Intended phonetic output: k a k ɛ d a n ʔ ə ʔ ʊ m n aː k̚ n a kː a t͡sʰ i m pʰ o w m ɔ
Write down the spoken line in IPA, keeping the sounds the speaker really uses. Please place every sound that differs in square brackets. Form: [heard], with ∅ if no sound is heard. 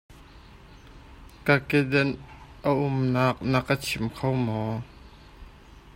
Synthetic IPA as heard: k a k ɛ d [ɛ] n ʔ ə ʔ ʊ m n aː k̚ n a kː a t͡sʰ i m [kʰ] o w m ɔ